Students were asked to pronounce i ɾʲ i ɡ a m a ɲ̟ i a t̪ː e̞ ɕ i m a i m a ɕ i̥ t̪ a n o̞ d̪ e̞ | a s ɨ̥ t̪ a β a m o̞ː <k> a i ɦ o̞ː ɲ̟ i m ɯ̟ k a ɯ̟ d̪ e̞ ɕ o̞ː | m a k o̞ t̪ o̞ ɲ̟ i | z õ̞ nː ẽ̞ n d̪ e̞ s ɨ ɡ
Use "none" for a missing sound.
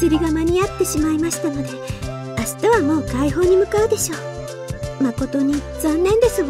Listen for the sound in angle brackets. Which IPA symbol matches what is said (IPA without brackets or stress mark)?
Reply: k